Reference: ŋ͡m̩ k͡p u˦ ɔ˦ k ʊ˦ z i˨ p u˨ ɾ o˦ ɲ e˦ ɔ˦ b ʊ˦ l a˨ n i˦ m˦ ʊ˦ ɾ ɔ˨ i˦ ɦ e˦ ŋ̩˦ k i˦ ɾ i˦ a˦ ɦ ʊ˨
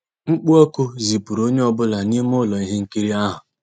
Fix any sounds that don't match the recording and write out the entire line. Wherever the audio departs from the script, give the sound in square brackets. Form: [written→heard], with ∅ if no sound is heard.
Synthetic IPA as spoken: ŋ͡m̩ k͡p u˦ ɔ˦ k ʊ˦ z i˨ p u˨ ɾ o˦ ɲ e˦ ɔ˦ b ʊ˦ l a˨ n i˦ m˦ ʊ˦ [ɾ→l] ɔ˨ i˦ ɦ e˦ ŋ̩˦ k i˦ ɾ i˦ a˦ ɦ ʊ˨